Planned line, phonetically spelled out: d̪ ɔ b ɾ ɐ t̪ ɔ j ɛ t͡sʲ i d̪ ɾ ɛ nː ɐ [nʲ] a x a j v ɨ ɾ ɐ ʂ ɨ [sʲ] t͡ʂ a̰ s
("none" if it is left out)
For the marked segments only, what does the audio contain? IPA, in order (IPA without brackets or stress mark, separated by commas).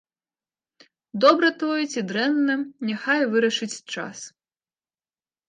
nʲ, t͡sʲ